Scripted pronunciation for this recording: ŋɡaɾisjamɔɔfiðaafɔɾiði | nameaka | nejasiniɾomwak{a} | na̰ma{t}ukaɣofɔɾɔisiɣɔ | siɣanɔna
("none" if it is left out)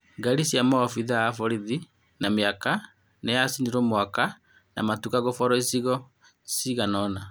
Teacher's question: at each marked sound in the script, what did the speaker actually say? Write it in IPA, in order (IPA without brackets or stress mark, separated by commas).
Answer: a, t